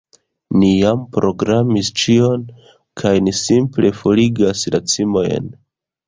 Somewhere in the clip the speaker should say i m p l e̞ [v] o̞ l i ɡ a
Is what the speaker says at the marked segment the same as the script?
no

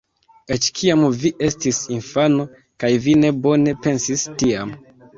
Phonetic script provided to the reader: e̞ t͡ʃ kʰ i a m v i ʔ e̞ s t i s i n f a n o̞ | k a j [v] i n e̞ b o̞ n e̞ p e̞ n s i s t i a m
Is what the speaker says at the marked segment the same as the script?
yes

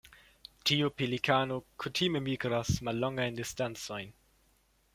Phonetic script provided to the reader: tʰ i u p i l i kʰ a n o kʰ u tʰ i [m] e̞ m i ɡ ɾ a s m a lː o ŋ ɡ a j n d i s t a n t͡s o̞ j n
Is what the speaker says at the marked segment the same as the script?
yes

